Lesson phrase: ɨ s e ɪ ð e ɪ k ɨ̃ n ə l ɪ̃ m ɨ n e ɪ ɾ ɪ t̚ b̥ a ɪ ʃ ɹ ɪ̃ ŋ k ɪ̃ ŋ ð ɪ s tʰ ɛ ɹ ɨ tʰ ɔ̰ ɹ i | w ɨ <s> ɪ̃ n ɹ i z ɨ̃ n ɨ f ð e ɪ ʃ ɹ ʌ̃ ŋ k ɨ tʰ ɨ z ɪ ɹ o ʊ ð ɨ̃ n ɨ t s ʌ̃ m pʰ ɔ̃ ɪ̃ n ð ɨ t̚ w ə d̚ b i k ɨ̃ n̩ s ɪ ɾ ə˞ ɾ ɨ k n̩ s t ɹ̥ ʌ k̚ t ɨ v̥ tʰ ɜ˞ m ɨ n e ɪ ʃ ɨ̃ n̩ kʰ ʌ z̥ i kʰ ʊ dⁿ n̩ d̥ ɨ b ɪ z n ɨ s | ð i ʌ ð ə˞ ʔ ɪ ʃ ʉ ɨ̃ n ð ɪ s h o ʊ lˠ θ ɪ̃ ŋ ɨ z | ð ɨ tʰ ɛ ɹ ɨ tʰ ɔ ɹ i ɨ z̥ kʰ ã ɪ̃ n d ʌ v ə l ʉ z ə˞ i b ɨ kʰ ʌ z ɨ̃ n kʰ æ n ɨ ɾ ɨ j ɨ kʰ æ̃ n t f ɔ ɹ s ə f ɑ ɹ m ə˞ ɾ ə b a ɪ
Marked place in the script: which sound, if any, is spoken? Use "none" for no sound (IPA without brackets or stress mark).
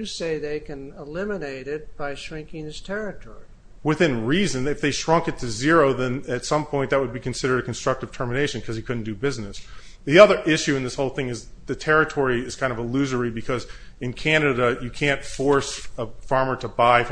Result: θ